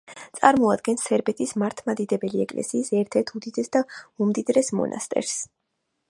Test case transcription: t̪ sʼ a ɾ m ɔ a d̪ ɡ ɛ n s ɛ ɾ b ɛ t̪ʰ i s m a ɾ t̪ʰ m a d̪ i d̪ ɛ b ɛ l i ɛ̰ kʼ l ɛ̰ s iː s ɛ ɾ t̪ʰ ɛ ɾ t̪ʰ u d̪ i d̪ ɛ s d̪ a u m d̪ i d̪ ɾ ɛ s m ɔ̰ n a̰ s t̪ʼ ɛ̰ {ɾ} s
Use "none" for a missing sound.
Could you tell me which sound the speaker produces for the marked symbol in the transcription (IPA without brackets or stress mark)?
ɾ